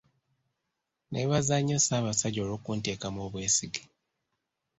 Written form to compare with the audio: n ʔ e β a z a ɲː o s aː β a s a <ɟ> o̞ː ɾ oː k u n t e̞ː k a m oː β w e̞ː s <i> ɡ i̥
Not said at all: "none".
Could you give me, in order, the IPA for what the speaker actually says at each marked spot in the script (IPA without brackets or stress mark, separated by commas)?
ɟ, i